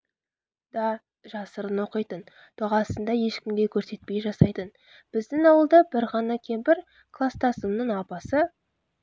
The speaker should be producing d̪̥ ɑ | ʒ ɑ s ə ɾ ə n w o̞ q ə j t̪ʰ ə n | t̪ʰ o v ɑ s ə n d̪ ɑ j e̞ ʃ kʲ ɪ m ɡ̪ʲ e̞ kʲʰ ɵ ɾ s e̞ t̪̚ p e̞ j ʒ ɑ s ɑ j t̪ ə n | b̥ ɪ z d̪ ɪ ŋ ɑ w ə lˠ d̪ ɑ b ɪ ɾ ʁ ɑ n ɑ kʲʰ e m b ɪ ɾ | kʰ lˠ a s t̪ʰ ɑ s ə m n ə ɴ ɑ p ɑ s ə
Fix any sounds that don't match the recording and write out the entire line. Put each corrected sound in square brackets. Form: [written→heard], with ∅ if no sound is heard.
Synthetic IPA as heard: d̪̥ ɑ | ʒ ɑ s ə ɾ ə n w o̞ q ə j [t̪ʰ→t̪] ə n | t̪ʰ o [v→ʁ] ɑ s ə n d̪ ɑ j e̞ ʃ kʲ ɪ m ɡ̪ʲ e̞ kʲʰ ɵ ɾ s e̞ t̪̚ p e̞ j ʒ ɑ s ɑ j t̪ ə n | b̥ ɪ z d̪ ɪ ŋ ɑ w ə lˠ d̪ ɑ b ɪ ɾ ʁ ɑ n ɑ kʲʰ e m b ɪ ɾ | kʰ lˠ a s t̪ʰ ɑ s ə m n ə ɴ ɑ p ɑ s ə